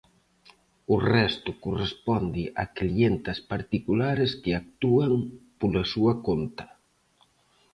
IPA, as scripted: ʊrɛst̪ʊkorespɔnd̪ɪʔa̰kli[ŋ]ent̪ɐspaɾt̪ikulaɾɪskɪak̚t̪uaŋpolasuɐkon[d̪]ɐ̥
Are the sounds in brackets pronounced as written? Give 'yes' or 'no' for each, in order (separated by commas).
no, no